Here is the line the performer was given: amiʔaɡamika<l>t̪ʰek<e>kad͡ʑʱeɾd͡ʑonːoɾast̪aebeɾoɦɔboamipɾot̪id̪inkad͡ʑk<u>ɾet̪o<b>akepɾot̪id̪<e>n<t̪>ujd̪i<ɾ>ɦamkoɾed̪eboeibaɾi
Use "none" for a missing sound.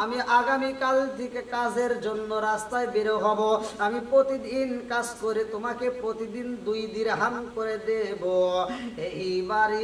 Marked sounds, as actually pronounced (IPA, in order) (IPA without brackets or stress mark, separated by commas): l, e, o, m, i, d̪, ɾ